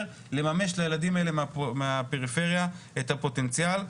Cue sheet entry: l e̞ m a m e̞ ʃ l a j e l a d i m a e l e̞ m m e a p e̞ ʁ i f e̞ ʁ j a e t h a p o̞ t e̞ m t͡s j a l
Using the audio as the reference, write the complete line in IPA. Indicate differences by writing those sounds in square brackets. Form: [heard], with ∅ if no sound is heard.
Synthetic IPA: l e̞ m a m e̞ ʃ l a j e l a d i m a e l e̞ m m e a p e̞ ʁ i f e̞ ʁ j a e t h a p o̞ t e̞ [n] t͡s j a l